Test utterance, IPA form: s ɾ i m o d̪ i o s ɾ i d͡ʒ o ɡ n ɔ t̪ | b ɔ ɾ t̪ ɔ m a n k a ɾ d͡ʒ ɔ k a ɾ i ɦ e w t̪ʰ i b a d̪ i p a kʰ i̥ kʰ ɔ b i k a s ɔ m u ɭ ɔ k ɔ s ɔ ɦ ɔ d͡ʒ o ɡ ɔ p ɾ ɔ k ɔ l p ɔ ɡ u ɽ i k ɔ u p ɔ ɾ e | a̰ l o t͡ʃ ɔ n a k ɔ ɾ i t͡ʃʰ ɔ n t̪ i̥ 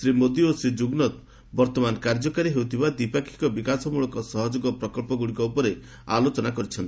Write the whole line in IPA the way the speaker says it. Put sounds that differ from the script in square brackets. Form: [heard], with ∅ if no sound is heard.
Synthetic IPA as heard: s ɾ i m o d̪ i o s ɾ i d͡ʒ [u] ɡ n ɔ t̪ | b ɔ ɾ t̪ ɔ m a n k a ɾ d͡ʒ ɔ k a ɾ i ɦ e w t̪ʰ i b a d̪ i p a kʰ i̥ [k] ɔ b i k a s ɔ m u ɭ ɔ k ɔ s ɔ ɦ ɔ d͡ʒ o ɡ ɔ p ɾ ɔ k ɔ l p ɔ ɡ u ɽ i k ɔ u p ɔ ɾ e | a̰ l o t͡ʃ ɔ n a k ɔ ɾ i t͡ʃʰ ɔ n t̪ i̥